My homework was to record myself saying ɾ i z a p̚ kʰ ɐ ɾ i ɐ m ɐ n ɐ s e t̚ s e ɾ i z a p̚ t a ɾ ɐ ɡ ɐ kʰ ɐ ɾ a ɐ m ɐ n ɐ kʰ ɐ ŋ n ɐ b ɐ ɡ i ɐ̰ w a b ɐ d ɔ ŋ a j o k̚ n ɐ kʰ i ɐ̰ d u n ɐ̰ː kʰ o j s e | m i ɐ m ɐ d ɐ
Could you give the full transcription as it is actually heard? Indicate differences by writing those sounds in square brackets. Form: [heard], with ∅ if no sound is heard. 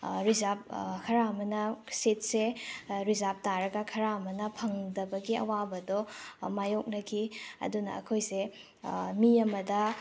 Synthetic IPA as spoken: ɾ i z a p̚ kʰ ɐ ɾ [a] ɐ m ɐ n ɐ s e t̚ s e ɾ i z a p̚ t a ɾ ɐ ɡ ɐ kʰ ɐ ɾ a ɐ m ɐ n ɐ [pʰ] ɐ ŋ [d] ɐ b ɐ ɡ i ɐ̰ w a b ɐ d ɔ [m] a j o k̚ n ɐ kʰ i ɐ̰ d u n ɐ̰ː kʰ o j s e | m i ɐ m ɐ d ɐ